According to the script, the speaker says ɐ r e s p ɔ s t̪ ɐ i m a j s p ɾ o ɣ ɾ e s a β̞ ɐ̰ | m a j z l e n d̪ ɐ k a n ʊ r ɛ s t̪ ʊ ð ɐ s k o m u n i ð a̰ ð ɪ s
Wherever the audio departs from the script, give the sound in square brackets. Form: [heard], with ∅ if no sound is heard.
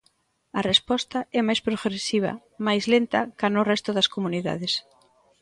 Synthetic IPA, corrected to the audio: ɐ r e s p ɔ s t̪ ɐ [ɛ] m a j s p ɾ o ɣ ɾ e s [i] β̞ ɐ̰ | m a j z l e n [t̪] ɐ k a n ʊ r ɛ s t̪ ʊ ð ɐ s k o m u n i ð a̰ ð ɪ s